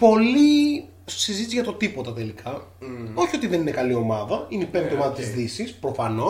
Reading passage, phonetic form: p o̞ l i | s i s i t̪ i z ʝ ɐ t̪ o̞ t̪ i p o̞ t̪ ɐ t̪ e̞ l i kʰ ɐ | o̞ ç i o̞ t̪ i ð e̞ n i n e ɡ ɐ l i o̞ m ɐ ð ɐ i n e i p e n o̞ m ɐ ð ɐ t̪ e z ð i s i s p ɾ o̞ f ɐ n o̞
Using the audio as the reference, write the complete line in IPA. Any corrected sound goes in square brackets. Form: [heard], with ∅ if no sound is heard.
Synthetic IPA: p o̞ l i | s i [z] i t̪ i z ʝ ɐ t̪ o̞ t̪ i p o̞ t̪ ɐ t̪ e̞ l i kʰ ɐ | o̞ ç i o̞ t̪ i ð e̞ n i n e [k] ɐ l i o̞ m ɐ ð ɐ i n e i p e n o̞ m ɐ ð ɐ t̪ [i] z ð i s i s p ɾ o̞ f ɐ n o̞